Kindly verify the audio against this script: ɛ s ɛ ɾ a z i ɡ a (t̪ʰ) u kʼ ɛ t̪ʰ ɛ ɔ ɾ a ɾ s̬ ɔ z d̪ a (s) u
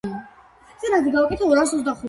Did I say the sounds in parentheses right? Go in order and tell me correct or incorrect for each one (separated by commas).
incorrect, incorrect